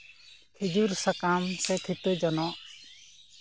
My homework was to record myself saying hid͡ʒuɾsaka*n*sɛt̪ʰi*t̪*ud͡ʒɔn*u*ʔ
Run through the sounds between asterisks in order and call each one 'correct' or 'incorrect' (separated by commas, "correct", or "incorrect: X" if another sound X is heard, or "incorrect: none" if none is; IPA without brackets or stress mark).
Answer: incorrect: m, correct, incorrect: ɔ